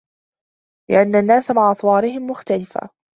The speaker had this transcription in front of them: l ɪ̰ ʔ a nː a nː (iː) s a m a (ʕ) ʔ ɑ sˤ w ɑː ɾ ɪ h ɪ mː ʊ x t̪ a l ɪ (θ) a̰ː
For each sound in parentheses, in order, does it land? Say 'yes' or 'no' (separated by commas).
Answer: no, yes, no